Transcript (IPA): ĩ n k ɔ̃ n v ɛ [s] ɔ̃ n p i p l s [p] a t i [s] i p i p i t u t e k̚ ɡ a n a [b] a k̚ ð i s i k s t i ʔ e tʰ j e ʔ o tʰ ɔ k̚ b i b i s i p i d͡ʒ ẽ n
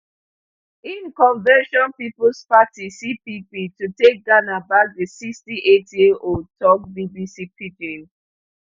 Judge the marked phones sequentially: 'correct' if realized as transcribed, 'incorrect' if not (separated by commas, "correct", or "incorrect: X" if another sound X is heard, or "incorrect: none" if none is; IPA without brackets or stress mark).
incorrect: ʃ, correct, correct, correct